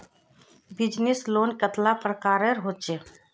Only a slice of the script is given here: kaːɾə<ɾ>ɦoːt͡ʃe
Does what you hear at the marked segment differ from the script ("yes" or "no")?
no